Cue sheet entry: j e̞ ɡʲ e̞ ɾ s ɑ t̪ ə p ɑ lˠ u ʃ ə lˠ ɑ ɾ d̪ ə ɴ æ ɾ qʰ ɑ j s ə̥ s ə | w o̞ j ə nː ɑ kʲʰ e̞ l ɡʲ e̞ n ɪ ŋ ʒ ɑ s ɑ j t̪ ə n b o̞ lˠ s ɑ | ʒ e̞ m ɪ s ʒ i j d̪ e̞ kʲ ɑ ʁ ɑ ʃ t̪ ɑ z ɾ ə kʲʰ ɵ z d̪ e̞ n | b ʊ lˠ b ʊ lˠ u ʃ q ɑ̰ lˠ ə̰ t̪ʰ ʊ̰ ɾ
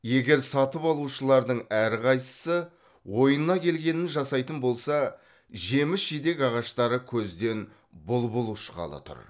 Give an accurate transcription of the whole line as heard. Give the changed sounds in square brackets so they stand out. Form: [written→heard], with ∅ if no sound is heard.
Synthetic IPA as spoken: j e̞ ɡʲ e̞ ɾ s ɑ t̪ ə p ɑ lˠ u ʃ ə lˠ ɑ ɾ d̪ ə ɴ æ ɾ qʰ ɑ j s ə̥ s ə | w o̞ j ə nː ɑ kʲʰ e̞ l ɡʲ e̞ n ɪ [ŋ→n] ʒ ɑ s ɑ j t̪ ə n b o̞ lˠ s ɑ | ʒ e̞ m ɪ s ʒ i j d̪ e̞ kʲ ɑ ʁ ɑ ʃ t̪ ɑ [z→∅] ɾ ə kʲʰ ɵ z d̪ e̞ n | b ʊ lˠ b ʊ lˠ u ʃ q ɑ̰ lˠ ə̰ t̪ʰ ʊ̰ ɾ